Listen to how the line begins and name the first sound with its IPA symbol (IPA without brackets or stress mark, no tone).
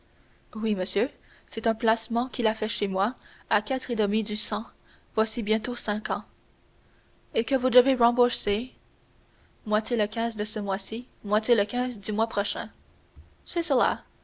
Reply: w